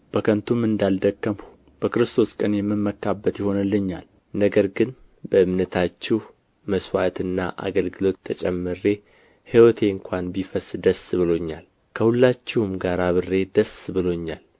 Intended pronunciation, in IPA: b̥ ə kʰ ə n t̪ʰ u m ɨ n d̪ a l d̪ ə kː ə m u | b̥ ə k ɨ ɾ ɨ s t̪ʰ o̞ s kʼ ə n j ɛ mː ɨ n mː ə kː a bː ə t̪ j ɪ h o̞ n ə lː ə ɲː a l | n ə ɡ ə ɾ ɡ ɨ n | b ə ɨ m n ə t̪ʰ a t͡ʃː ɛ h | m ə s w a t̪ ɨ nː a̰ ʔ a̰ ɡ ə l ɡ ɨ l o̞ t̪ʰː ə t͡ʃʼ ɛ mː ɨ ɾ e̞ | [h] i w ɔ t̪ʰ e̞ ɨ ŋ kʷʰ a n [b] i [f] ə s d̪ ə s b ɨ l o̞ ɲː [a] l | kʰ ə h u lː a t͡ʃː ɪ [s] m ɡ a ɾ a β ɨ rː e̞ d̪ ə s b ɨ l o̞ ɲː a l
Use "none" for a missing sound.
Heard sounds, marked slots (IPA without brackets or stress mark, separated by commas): h, b, f, a, h